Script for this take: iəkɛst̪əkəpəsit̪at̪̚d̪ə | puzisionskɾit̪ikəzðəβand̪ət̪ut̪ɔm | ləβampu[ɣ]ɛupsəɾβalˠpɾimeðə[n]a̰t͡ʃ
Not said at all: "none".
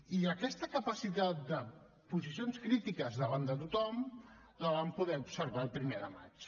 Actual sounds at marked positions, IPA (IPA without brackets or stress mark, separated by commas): ð, m